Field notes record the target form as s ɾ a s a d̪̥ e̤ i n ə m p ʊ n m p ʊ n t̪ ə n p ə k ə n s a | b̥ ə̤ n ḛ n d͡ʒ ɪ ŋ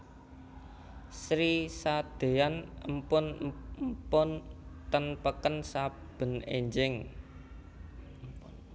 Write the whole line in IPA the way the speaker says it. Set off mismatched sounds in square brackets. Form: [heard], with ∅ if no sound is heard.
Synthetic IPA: s ɾ [i] s a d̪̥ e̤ [a] n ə m p ʊ n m p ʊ n t̪ ə n p ə k ə n s a | b̥ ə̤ n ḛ [ɲ] d͡ʒ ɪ ŋ

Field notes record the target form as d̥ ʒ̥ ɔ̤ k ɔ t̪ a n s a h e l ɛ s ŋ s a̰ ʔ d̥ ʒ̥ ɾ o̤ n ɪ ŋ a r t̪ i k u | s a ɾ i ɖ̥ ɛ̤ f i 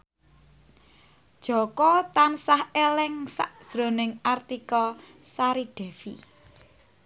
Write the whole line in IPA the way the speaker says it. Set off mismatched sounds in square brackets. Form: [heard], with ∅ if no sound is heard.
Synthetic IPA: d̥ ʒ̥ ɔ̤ k ɔ t̪ a n s a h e l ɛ [∅] ŋ s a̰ ʔ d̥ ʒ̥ ɾ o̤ n ɪ ŋ a r t̪ i k [ɔ] | s a ɾ i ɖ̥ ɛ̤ f i

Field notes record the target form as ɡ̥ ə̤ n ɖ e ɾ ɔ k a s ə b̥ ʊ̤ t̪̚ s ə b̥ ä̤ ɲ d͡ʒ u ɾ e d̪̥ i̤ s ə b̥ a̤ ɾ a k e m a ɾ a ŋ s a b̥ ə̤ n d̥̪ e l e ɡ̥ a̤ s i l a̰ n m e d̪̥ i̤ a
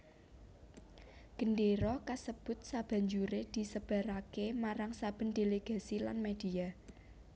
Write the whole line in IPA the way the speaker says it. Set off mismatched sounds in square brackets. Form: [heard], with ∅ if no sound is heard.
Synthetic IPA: ɡ̥ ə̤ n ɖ e ɾ ɔ k a s ə b̥ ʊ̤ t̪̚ s [a] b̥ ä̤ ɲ d͡ʒ u ɾ e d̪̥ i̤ s ə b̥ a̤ ɾ a k e m a ɾ a ŋ s a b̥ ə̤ n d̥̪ e l e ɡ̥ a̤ s i l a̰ n m e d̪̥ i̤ a

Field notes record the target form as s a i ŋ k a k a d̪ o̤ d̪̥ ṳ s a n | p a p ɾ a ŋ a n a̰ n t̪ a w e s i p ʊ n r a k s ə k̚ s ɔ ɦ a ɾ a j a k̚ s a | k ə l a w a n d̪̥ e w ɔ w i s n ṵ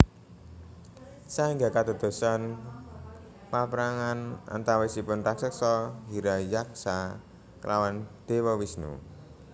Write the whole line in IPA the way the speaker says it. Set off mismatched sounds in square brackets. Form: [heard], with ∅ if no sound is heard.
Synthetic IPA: s a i ŋ [ɡ] a k a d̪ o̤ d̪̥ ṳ s a n | p a p ɾ a ŋ a n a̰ n t̪ a w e s i p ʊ n r a k s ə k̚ s ɔ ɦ [i] ɾ a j a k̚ s a | k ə l a w a n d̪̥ e w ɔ w i s n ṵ

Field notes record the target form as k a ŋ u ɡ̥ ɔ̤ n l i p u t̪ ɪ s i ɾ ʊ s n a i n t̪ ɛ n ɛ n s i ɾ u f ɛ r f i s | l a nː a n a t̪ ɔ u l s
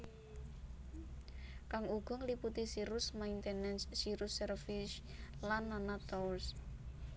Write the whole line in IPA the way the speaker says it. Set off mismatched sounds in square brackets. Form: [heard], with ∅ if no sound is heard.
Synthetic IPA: k a ŋ u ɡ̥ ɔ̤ [ŋ] l i p u t̪ [i] s i ɾ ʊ s [m] a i n t̪ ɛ n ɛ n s i ɾ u [s] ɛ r f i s | l a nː a n a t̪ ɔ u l s

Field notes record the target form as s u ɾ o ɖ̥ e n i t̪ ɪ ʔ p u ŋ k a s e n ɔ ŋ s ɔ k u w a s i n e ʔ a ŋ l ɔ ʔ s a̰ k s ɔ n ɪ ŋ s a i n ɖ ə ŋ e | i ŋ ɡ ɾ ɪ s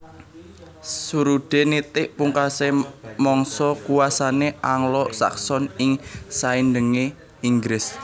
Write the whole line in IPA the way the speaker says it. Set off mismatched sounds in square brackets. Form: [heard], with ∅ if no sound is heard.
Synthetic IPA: s u ɾ [u] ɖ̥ e n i t̪ ɪ ʔ p u ŋ k a s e [m] ɔ ŋ s ɔ k u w a s [a] n e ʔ a ŋ l ɔ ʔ s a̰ k s ɔ n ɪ ŋ s a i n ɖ ə ŋ e | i ŋ ɡ ɾ ɪ s

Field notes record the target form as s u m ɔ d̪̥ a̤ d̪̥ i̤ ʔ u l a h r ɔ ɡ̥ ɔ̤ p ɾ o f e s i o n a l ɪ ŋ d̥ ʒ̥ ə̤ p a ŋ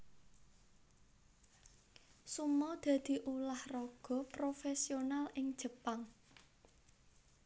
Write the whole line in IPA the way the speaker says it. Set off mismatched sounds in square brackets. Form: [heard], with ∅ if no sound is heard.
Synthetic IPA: s u m ɔ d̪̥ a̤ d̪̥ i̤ ʔ u l a h r ɔ ɡ̥ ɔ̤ p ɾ o f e s i o n a l ɪ ŋ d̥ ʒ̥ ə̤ p a ŋ

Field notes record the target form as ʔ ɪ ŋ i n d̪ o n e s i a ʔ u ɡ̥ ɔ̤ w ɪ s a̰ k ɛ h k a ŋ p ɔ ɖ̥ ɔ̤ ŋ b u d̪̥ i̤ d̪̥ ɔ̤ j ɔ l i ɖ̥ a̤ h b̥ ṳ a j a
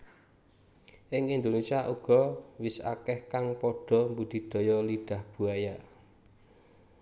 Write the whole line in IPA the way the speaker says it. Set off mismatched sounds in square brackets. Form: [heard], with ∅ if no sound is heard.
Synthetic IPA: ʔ ɪ ŋ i n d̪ o n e s i a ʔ u ɡ̥ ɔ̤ w ɪ s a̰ k ɛ h k a ŋ p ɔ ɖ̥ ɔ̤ [m] b u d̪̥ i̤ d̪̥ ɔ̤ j ɔ l i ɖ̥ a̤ h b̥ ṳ a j a

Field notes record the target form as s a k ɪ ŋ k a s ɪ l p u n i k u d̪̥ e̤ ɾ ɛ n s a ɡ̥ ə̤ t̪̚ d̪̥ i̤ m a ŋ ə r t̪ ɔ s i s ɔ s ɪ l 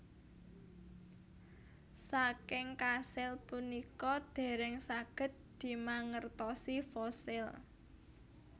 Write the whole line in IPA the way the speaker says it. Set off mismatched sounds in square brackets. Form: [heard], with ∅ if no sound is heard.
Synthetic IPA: s a k ɪ ŋ k a s ɪ l p u n i k [ɔ] d̪̥ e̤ ɾ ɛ [ŋ] s a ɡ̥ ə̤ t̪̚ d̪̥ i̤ m a ŋ ə r t̪ ɔ s i [f] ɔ s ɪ l

